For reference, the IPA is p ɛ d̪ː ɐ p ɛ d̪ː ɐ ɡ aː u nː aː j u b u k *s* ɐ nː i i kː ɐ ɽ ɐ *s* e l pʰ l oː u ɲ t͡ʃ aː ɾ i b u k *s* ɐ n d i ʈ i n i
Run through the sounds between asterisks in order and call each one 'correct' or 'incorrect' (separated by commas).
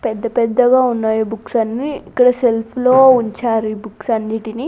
correct, correct, correct